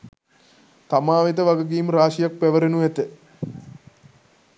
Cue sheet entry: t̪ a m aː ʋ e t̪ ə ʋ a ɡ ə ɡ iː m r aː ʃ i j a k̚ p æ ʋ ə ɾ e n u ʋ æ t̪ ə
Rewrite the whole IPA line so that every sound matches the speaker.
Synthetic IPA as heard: t̪ a m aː ʋ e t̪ ə ʋ a ɡ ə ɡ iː m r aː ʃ i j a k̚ p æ ʋ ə ɾ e n u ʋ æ t̪ ə